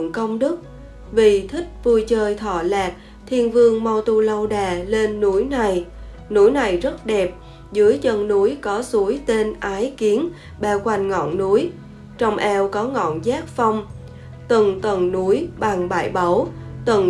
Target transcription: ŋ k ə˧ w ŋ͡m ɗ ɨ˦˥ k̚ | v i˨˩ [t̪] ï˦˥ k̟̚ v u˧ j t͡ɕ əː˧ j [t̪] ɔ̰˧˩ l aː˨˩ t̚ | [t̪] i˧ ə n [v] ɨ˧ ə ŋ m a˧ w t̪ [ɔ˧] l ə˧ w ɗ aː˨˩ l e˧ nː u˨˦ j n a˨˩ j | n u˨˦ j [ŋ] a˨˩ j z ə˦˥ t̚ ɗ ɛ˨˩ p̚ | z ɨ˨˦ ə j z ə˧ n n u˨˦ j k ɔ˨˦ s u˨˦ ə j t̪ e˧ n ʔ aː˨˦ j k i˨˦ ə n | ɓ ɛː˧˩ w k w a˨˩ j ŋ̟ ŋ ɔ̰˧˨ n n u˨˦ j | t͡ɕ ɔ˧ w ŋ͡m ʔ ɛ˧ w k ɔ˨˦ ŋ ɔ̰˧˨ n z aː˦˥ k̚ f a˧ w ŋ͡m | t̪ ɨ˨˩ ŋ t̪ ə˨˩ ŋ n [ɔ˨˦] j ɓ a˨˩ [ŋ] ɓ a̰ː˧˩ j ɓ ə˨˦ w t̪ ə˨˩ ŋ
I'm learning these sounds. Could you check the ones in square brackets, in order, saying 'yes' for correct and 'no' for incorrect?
no, no, no, yes, no, no, no, yes

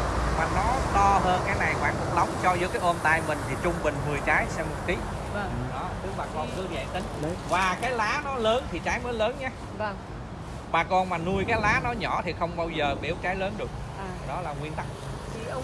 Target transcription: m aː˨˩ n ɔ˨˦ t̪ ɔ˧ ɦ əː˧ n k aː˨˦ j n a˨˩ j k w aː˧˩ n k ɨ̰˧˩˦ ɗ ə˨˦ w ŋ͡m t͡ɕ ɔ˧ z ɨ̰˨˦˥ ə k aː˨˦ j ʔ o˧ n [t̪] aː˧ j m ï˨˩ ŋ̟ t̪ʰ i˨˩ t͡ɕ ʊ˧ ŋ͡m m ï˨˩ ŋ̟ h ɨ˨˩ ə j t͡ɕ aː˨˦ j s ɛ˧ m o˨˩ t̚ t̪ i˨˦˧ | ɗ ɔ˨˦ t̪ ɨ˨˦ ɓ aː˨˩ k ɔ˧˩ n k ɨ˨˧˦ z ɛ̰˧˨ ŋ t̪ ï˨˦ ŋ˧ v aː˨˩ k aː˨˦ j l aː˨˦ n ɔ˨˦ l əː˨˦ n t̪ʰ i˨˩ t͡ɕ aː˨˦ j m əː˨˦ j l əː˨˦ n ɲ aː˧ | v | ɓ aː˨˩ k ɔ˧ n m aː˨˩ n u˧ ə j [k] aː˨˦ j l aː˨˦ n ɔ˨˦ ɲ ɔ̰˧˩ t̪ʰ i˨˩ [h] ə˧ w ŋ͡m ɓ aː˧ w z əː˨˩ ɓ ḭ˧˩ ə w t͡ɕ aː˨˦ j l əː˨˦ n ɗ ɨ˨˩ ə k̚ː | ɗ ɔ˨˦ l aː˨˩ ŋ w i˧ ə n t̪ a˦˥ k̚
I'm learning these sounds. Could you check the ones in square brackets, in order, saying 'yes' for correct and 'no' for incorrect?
yes, yes, no

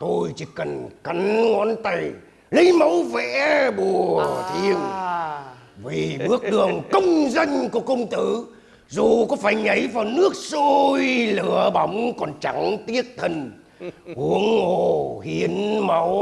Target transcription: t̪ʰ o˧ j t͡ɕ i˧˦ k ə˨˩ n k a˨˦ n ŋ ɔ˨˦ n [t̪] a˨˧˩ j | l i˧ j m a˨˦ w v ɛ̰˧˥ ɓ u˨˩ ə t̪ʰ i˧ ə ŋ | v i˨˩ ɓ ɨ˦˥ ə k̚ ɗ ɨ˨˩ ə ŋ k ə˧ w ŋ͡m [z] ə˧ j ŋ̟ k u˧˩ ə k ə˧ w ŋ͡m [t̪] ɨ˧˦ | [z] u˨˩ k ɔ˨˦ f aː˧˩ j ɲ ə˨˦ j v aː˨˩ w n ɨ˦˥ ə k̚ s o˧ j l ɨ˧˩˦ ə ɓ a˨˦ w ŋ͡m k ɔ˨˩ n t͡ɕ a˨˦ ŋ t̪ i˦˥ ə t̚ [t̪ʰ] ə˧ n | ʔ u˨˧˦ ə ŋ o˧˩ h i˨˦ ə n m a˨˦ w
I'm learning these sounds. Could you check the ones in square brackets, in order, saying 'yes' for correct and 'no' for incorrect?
yes, yes, yes, yes, yes

